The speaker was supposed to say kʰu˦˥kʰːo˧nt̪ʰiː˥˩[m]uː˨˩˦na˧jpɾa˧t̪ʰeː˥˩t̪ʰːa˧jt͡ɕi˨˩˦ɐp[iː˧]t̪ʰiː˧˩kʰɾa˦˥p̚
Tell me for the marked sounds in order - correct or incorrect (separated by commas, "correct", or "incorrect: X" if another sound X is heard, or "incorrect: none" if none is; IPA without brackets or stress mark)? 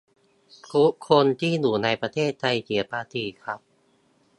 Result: incorrect: n, incorrect: aː˧